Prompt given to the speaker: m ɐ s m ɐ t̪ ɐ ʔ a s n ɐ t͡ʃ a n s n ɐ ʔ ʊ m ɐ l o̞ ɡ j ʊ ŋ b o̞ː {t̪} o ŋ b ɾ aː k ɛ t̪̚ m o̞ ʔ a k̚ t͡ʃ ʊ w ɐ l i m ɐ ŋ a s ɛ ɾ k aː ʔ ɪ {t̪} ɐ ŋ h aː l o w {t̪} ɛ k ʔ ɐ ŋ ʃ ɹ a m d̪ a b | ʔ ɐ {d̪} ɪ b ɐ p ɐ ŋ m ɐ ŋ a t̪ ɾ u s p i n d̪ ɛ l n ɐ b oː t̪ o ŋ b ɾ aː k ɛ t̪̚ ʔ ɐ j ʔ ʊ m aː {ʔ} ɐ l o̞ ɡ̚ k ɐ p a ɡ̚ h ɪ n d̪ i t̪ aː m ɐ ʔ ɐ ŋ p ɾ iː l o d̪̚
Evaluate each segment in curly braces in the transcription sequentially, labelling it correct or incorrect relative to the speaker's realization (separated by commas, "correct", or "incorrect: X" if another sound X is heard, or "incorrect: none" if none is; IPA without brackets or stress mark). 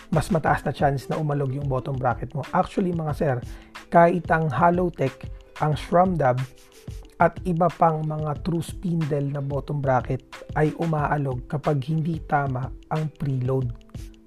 correct, correct, correct, incorrect: t̪, correct